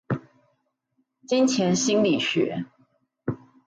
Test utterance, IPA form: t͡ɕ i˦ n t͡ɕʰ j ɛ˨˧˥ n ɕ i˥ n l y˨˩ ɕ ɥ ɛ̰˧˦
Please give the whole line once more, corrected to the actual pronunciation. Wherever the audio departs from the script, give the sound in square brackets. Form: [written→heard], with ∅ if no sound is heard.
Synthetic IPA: t͡ɕ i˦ n t͡ɕʰ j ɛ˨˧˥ n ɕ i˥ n l [y˨˩→i˨˩] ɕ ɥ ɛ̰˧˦